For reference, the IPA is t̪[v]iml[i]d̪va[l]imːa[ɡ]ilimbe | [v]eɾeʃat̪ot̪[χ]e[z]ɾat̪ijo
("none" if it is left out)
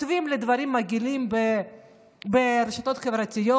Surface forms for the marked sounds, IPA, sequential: v, e, ɾ, ɡ, b, χ, v

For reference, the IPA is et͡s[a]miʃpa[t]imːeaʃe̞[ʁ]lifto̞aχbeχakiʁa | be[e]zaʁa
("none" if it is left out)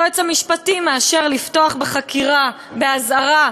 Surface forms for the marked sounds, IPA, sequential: a, t, ʁ, a

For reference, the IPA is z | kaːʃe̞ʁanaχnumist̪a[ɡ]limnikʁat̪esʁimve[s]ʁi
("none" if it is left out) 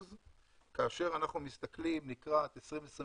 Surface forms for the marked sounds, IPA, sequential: k, s

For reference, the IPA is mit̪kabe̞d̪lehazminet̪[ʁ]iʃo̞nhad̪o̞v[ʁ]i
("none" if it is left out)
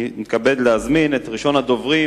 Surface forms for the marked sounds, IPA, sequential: ʁ, ʁ

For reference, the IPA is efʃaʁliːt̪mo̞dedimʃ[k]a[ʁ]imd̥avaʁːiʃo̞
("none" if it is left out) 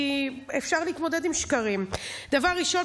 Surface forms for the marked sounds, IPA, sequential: k, ʁ

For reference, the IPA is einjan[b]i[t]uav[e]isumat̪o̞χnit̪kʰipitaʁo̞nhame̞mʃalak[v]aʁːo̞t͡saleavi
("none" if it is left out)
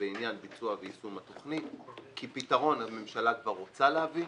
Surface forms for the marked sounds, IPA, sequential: b, t͡s, e, v

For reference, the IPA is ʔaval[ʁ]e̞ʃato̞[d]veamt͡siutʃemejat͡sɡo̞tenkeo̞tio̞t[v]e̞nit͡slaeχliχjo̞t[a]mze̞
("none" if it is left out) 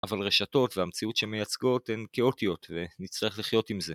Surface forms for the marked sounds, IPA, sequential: ʁ, t, v, i

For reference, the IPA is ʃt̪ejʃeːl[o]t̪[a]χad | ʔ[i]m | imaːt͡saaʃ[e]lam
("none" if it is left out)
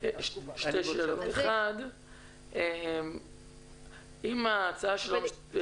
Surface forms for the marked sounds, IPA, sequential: o, e, e, e

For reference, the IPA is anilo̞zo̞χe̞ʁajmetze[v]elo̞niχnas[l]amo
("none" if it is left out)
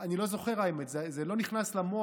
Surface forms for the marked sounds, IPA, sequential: z, l

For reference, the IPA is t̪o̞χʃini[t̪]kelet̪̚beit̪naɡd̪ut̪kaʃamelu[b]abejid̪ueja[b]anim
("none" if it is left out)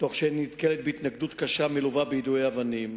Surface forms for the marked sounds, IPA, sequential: t̪, v, v

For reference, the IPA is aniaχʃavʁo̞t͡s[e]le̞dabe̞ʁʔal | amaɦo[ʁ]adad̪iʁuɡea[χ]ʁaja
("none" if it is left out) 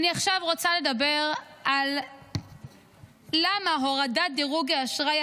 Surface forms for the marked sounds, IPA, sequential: a, ʁ, ʃ

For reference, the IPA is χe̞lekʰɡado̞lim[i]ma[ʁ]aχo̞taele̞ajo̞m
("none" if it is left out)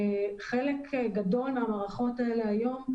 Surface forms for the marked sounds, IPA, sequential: a, ʁ

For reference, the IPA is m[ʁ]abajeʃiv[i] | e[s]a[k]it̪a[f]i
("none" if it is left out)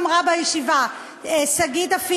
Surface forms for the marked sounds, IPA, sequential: ʁ, a, s, ɡ, f

